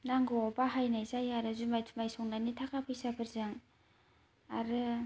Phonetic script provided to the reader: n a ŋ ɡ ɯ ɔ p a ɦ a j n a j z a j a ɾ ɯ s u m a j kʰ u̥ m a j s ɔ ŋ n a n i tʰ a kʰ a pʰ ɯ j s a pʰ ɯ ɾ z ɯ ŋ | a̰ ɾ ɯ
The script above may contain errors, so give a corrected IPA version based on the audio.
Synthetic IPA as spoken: n a ŋ ɡ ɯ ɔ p a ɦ a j n a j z a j a ɾ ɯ z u m a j tʰ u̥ m a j s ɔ ŋ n a n i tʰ a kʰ a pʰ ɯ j s a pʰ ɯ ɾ z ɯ ŋ | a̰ ɾ ɯ

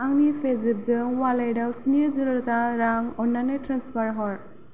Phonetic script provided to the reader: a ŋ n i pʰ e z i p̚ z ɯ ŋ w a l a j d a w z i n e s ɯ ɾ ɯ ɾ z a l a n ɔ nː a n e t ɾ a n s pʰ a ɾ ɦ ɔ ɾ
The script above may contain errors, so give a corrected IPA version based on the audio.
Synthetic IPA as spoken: a ŋ n i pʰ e z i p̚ z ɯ ŋ w a l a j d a w s i n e z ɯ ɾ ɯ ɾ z a ɾ a ŋ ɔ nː a n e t ɾ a n s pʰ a ɾ ɦ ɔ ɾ

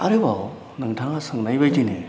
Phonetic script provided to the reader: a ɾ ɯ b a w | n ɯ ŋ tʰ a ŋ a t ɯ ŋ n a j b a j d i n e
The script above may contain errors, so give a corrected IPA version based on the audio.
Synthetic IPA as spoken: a ɾ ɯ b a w | n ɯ ŋ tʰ a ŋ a s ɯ ŋ n a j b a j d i n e

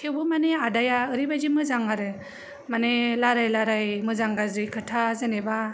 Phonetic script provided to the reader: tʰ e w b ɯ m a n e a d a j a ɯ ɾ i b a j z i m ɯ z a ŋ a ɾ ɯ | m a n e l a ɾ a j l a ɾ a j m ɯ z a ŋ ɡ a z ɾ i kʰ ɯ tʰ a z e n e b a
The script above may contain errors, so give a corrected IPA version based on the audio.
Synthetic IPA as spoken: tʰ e w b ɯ m a n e a d a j a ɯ ɾ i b a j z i m ɯ z a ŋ a ɾ ɯ | m a n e l a ɾ a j l a ɾ a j m ɯ z a ŋ ɡ a z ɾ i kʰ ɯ tʰ a z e n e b a

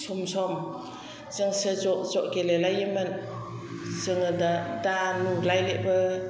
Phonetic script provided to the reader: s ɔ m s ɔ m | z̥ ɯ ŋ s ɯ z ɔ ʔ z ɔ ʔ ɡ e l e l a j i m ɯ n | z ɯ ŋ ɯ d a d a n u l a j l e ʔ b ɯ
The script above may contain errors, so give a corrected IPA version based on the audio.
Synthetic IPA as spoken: s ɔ m s ɔ m | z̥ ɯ ŋ s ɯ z ɔ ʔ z ɔ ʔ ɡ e l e l a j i m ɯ n | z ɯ ŋ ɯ d a d a n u l a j l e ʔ b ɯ

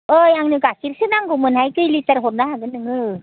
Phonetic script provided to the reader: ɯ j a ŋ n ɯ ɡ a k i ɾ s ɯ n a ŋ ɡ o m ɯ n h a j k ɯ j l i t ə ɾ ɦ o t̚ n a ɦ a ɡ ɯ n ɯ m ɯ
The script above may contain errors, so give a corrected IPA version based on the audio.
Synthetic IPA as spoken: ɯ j a ŋ n ɯ ɡ a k i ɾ s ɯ n a ŋ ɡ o m ɯ n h a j k ɯ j l i t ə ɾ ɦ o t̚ n a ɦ a ɡ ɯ n ɯ ŋ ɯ

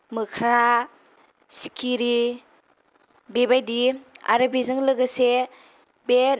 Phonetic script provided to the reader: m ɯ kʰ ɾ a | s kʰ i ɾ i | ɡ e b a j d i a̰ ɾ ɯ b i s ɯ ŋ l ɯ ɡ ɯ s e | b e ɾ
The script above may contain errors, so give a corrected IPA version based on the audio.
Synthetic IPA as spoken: m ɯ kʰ ɾ a | s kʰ i ɾ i | b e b a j d i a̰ ɾ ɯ b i z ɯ ŋ l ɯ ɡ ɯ s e | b e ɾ

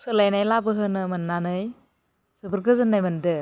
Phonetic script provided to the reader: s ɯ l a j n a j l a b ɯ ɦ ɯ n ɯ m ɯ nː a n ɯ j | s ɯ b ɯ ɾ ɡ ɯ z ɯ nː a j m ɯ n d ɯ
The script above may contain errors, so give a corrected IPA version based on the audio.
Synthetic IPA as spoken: s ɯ l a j n a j l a b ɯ ɦ ɯ n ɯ m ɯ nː a n ɯ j | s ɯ b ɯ ɾ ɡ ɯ z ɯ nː a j m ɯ n d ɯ

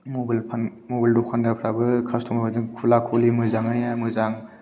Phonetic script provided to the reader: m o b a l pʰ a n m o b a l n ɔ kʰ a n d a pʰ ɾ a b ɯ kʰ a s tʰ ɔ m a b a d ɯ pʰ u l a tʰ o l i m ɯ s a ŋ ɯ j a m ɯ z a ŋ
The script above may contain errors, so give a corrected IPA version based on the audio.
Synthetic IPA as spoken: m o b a l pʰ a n m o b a l d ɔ kʰ a n d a pʰ ɾ a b ɯ kʰ a s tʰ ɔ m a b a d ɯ kʰ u l a kʰ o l i m ɯ z a ŋ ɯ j a m ɯ z a ŋ

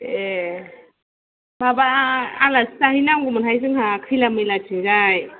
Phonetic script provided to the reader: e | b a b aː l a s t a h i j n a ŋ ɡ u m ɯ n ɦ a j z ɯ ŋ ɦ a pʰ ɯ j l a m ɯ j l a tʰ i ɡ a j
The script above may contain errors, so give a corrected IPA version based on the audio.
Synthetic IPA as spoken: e | b a b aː l a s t a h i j n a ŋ ɡ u m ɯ n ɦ a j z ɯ ŋ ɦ a kʰ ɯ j l a m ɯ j l a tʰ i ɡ a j

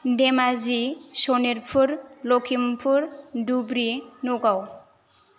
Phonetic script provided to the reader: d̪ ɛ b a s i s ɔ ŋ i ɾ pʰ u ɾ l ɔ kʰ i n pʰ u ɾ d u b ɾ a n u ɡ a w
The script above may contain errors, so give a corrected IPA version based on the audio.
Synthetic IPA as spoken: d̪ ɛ m a z i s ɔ n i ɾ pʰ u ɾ l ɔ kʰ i m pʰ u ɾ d u b ɾ i n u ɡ a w

